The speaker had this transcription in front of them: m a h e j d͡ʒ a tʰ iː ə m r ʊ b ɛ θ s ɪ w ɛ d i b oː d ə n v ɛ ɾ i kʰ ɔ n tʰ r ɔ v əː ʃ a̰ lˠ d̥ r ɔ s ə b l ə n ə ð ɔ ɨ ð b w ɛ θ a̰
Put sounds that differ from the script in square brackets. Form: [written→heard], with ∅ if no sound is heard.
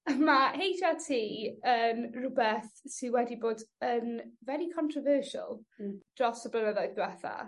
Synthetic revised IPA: m a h e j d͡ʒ a tʰ iː ə [m→n] r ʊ b ɛ θ s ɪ w ɛ d i b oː d ə n v ɛ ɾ i kʰ ɔ n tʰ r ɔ v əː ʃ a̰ lˠ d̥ r ɔ s ə b l ə n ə ð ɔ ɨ ð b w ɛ θ a̰